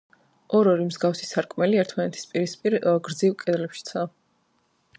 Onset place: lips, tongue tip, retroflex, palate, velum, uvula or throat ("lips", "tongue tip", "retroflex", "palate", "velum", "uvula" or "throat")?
tongue tip